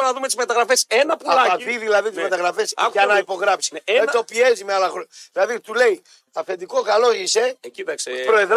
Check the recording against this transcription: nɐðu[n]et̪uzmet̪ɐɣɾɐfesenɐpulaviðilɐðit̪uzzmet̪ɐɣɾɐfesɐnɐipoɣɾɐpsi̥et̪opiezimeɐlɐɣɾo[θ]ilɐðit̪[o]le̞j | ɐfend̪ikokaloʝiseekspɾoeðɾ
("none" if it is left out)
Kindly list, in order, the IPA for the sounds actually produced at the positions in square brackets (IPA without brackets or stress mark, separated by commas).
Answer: m, ð, u